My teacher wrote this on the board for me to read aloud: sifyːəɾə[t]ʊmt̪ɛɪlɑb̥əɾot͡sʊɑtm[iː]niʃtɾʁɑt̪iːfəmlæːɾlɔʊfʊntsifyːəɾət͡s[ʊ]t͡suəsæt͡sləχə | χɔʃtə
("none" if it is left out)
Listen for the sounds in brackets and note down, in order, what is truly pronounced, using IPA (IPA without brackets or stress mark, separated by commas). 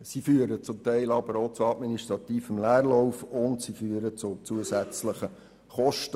t͡s, i, ʊ